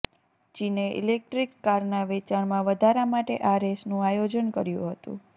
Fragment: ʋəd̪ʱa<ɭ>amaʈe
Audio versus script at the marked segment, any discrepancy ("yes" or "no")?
yes